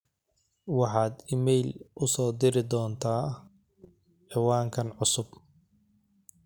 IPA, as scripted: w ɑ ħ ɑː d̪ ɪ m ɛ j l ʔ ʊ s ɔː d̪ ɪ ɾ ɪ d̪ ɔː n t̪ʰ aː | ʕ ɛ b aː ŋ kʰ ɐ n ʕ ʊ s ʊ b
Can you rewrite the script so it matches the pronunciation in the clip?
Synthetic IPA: w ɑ ħ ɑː d̪ ɪ m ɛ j l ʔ ʊ s ɔː d̪ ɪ ɾ ɪ d̪ ɔː n t̪ʰ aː | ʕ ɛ w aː ŋ kʰ ɐ n ʕ ʊ s ʊ b